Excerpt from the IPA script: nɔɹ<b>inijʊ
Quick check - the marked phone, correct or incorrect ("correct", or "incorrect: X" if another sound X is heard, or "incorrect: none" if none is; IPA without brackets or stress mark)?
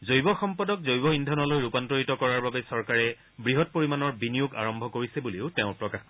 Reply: correct